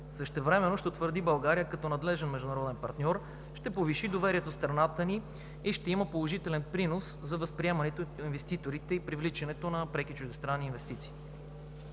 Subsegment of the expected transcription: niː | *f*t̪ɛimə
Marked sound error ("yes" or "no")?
yes